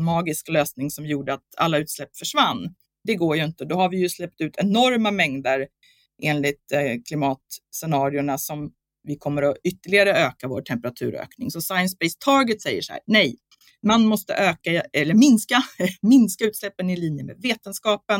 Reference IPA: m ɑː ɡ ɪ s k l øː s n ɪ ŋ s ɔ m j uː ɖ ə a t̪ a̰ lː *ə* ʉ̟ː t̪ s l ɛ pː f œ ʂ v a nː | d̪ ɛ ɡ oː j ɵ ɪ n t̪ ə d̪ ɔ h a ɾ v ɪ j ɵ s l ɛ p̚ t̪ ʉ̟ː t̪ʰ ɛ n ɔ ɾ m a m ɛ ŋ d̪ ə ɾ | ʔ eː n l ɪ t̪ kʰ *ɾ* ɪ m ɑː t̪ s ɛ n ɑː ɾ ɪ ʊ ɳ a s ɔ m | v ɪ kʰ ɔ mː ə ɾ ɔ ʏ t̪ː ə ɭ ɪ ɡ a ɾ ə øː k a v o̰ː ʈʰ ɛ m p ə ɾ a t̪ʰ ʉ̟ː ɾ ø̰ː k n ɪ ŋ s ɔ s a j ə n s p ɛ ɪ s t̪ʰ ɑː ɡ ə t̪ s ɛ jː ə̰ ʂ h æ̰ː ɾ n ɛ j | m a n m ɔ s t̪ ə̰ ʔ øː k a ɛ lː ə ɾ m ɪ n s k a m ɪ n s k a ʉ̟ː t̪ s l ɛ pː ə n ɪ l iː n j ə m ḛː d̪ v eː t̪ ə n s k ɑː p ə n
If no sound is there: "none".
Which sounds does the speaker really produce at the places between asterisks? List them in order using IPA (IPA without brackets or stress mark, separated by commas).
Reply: a, l